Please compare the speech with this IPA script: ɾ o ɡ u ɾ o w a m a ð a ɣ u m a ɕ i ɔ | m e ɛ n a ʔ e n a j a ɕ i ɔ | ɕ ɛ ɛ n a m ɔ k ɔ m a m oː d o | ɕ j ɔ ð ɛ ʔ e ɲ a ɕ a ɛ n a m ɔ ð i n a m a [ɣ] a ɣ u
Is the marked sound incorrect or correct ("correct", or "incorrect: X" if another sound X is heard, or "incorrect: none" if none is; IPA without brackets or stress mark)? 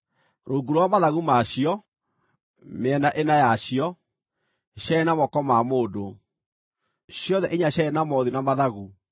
incorrect: ð